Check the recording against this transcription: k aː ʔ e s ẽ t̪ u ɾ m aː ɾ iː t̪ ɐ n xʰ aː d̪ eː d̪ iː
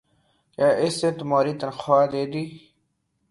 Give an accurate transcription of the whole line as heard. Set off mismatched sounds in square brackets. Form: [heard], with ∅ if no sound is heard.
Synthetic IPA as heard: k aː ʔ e s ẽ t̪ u [∅] m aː ɾ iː t̪ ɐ n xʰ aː d̪ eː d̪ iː